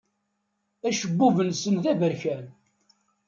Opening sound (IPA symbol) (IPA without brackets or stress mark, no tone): æ